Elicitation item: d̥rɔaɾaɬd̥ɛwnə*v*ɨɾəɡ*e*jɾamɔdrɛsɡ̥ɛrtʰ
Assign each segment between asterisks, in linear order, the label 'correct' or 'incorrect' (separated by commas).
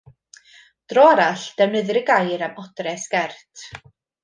incorrect, incorrect